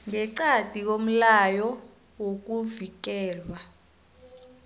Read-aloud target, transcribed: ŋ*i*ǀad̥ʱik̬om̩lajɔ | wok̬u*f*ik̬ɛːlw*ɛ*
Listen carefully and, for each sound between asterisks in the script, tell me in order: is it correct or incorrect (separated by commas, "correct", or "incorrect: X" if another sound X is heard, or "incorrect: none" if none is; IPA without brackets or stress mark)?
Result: incorrect: ɛ, incorrect: v, incorrect: a